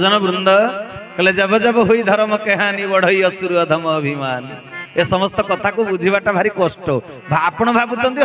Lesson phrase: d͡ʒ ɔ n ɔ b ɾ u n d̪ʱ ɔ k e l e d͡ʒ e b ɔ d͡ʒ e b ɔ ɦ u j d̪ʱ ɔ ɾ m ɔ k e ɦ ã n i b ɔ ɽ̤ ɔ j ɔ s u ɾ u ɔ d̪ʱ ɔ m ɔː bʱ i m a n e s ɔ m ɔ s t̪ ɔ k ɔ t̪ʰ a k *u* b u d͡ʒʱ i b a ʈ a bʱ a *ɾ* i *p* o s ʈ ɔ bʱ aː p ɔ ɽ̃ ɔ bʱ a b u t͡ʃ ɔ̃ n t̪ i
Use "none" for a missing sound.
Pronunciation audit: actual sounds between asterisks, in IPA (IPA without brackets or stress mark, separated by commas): u, ɾ, k